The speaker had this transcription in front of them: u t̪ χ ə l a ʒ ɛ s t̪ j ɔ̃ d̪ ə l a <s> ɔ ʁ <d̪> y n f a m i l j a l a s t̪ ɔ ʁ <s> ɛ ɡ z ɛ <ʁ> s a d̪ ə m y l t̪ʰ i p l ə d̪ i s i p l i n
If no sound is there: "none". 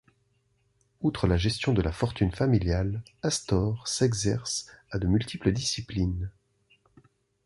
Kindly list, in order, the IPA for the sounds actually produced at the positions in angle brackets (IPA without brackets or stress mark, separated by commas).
f, t̪, s, ʁ